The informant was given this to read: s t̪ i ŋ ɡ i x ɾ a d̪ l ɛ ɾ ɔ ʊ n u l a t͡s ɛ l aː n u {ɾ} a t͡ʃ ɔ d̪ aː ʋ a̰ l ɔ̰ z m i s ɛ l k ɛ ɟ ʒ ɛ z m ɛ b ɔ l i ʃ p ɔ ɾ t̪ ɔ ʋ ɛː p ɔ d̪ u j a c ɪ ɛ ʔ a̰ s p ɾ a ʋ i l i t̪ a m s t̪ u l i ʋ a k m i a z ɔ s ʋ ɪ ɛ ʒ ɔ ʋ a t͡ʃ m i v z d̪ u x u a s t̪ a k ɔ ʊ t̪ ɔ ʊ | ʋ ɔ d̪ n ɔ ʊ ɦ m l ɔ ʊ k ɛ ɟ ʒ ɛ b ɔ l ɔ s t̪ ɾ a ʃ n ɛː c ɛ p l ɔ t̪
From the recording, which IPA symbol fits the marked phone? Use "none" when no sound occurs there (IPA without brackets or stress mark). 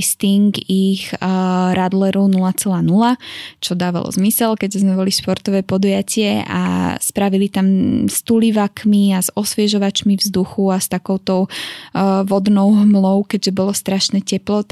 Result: l